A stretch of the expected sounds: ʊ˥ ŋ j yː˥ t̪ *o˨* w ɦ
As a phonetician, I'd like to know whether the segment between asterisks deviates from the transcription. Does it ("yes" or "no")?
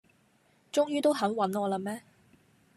yes